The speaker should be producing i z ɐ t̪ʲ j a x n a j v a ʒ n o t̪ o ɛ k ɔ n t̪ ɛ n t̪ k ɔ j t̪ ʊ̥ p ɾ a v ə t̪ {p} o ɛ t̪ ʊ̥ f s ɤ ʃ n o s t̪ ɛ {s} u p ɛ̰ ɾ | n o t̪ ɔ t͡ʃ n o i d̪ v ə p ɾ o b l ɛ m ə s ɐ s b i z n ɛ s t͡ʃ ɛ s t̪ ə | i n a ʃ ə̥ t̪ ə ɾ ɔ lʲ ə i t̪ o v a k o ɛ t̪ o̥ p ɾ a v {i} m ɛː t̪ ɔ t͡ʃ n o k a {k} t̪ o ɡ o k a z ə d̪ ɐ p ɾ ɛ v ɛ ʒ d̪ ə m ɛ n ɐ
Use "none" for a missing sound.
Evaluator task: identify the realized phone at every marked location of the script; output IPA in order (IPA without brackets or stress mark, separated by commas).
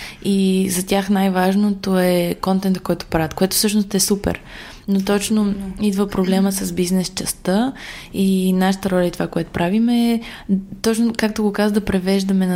k, s, i, k